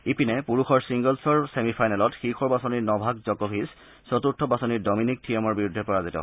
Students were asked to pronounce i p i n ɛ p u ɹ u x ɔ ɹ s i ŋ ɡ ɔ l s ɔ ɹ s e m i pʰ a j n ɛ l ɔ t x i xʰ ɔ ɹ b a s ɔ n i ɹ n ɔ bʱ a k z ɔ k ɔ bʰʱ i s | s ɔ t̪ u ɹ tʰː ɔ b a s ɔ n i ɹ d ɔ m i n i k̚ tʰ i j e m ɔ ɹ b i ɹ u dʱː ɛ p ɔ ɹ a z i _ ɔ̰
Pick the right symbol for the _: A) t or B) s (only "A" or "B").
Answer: A